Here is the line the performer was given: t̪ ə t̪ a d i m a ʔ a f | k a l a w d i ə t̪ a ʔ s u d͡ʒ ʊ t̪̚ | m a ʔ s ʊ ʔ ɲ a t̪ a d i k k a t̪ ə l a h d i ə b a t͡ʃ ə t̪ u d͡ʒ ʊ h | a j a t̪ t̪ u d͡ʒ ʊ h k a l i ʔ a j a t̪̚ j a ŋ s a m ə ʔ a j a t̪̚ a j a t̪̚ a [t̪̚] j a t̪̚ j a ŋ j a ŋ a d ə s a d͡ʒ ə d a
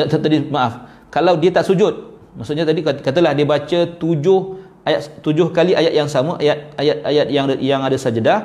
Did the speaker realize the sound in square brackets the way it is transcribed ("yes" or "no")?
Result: no